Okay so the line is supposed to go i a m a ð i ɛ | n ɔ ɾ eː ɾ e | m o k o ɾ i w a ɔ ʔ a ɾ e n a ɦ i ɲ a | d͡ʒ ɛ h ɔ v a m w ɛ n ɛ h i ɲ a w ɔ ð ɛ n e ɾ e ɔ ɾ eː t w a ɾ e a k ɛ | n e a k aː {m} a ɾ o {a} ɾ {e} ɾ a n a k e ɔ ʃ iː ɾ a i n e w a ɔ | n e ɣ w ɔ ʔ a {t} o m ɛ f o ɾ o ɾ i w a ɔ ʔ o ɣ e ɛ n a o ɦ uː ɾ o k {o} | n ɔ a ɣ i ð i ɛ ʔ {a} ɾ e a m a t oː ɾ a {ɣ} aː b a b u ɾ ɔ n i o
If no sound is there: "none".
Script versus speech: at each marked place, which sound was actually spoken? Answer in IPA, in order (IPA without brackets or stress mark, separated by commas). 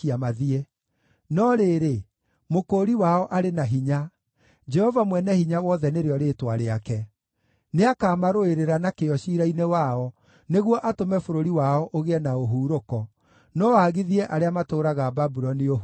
m, e, e, t, ɔ, a, ɣ